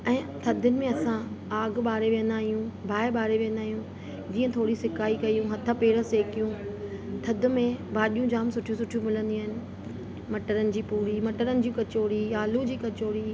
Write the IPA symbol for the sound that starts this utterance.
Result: ɛ̃ː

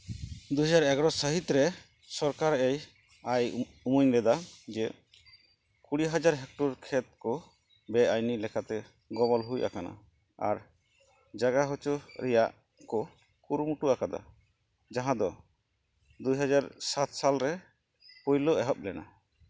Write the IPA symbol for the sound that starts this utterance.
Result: d̪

